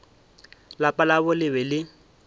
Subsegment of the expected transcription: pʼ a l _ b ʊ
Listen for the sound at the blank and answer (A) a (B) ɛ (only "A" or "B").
A